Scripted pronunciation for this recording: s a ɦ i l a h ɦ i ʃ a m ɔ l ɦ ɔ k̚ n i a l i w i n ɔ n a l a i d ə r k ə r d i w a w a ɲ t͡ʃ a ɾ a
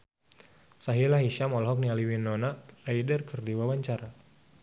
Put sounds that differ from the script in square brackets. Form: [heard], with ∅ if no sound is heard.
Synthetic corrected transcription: s a ɦ i l a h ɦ i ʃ a m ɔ l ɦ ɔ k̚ n i a l i w i n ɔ n a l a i d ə r k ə r d i w a w a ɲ t͡ʃ a ɾ a